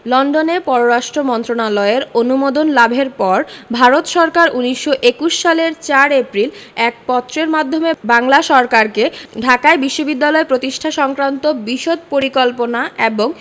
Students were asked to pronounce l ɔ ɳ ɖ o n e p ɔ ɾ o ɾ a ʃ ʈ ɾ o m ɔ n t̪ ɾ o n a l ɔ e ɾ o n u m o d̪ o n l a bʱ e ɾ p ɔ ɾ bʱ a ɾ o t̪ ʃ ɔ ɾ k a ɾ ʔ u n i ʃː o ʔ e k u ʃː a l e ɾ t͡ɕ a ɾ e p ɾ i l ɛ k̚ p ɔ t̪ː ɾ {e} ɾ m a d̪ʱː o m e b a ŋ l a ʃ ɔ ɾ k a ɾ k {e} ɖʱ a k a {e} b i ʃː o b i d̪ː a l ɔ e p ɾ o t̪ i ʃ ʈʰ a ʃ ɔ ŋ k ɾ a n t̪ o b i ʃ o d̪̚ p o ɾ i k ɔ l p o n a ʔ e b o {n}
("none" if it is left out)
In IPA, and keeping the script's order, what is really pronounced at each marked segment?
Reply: e, e, e, ŋ

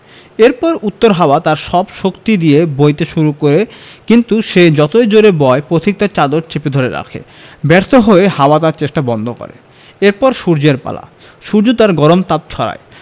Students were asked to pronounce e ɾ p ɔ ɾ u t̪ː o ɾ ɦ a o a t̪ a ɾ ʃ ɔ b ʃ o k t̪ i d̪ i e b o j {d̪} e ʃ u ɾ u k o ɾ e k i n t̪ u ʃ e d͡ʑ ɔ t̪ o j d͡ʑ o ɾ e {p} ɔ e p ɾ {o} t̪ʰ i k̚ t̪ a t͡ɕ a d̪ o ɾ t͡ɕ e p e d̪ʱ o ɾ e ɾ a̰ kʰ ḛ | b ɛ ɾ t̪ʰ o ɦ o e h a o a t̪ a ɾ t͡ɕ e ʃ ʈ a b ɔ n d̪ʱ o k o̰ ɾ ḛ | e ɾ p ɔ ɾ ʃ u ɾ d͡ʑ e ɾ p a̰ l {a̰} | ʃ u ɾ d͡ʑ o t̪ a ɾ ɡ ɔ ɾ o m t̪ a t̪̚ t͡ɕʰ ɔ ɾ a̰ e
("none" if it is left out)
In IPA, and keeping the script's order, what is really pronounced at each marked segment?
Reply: t̪, b, o, a̰

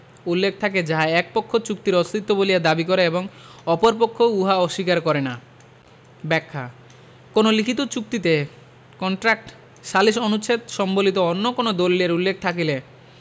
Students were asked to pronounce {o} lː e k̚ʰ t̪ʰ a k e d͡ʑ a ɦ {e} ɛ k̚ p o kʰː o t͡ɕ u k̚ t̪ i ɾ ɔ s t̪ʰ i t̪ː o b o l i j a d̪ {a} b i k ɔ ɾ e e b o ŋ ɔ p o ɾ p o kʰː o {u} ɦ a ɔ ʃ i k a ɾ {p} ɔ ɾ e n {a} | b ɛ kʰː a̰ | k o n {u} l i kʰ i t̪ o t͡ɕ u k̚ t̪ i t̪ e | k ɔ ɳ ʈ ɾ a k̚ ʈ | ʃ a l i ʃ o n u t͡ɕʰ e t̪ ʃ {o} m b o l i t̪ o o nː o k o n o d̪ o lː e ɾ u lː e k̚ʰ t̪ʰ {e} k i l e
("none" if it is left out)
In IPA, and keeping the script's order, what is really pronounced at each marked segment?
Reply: u, a, a, u, k, a, o, ɔ, a

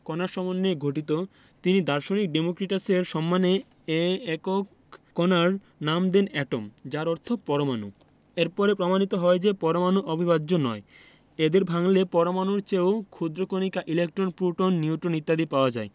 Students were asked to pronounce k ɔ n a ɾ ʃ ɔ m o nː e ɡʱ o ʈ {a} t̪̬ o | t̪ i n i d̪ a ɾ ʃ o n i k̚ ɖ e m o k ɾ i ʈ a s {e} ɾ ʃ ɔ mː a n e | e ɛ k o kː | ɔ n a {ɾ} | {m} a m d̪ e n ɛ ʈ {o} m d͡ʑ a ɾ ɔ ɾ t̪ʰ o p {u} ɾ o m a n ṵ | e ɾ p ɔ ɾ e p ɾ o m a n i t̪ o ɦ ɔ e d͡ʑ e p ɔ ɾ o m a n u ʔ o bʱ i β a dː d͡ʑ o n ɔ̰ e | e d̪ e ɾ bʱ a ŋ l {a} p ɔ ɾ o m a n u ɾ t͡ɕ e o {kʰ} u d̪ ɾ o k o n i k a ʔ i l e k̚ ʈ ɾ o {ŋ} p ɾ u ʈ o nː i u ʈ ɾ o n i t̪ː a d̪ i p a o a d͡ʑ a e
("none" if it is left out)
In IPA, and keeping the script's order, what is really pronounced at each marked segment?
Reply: i, e, ɾ, n, o, ɔ, e, kʰ, n

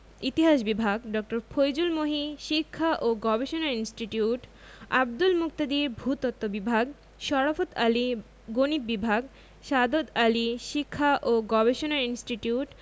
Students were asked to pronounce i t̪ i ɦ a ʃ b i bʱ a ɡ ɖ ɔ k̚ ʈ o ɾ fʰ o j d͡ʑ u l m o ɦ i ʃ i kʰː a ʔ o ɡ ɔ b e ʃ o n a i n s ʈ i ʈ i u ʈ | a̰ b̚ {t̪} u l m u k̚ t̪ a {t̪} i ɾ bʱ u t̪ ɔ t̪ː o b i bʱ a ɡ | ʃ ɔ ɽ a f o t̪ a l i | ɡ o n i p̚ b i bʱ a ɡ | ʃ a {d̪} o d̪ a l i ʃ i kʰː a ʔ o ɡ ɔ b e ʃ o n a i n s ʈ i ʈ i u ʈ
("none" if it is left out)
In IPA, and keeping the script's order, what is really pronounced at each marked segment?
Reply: d̪, d̪, d̪

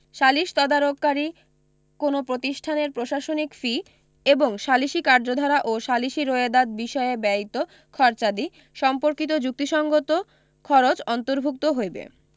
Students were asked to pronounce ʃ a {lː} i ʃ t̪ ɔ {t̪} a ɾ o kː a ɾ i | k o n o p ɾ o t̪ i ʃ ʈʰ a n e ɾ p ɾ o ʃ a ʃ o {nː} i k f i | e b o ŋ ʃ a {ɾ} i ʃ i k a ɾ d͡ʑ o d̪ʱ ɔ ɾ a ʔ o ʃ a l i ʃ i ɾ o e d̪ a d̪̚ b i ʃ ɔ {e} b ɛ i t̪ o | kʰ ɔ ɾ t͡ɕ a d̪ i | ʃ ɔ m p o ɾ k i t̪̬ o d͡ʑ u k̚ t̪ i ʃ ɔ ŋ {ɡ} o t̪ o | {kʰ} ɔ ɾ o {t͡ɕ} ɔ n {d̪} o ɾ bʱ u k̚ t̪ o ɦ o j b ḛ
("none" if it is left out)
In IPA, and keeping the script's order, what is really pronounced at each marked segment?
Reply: l, d̪, n, l, e, ɡ, kʰ, t͡ɕ, t̪

